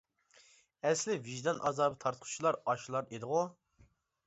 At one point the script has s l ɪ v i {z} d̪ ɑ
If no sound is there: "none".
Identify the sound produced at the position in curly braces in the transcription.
ʒ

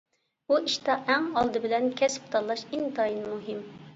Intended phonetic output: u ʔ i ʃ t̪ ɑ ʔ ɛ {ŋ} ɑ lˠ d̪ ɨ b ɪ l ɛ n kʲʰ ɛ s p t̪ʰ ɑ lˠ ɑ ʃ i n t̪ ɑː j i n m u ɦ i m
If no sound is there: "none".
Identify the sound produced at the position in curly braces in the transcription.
ŋ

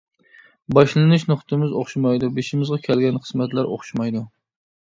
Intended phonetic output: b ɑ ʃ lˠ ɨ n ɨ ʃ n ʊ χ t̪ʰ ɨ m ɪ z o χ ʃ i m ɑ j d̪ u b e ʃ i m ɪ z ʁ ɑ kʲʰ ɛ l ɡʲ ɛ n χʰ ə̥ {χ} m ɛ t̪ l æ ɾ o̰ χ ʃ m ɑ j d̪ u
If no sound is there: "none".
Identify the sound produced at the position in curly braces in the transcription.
s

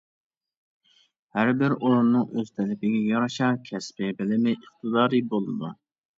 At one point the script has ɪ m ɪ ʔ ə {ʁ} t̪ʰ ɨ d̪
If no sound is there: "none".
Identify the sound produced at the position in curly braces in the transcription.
χ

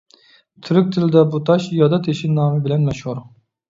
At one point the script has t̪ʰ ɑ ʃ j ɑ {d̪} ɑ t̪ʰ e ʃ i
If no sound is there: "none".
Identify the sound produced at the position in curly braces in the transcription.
d̪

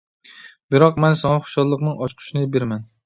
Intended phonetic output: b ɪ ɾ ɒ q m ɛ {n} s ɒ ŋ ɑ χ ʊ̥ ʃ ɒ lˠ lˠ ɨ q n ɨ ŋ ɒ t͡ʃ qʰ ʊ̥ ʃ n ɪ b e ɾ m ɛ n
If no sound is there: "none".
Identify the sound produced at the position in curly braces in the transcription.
n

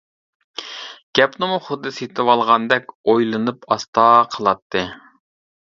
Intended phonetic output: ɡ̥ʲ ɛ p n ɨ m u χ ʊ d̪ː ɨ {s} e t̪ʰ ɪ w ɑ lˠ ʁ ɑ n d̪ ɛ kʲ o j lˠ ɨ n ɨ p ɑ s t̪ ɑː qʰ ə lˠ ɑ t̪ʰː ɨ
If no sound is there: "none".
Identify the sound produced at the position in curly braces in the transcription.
s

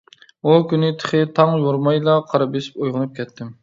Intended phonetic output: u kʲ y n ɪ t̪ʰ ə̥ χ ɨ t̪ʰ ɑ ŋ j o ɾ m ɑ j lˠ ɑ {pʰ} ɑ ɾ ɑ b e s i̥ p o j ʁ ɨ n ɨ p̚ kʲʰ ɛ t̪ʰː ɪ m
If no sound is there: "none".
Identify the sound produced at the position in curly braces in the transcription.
qʰ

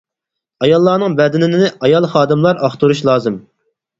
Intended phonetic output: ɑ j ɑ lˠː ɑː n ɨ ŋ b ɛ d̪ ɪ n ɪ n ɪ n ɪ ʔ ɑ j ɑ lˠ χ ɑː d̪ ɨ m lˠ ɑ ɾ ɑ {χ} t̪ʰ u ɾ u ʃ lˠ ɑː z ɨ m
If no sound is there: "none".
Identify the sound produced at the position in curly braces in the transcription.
χ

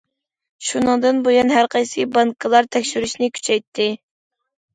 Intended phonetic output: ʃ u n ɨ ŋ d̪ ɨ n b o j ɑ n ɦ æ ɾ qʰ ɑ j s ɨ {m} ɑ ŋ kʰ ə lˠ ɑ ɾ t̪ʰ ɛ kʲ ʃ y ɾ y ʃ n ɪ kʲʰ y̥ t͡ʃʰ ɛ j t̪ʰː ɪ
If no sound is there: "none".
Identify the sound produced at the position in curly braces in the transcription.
b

